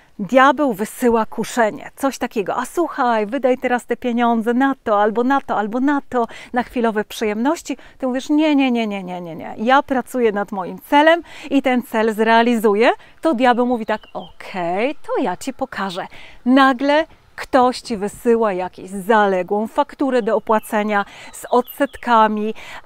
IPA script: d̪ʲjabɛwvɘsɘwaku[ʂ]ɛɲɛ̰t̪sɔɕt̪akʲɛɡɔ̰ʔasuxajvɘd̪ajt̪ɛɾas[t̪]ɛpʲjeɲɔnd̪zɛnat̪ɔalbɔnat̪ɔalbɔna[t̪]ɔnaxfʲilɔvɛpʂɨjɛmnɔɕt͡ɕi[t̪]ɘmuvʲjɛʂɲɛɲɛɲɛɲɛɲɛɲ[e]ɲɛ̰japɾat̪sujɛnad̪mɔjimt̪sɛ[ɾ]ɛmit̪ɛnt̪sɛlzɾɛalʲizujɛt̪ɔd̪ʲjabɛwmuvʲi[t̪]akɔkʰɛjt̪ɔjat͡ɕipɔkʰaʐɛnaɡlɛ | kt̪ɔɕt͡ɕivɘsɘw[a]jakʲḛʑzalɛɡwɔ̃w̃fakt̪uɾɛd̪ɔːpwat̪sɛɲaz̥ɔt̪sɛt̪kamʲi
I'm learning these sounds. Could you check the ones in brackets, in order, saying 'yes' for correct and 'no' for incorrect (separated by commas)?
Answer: yes, yes, yes, yes, no, no, yes, yes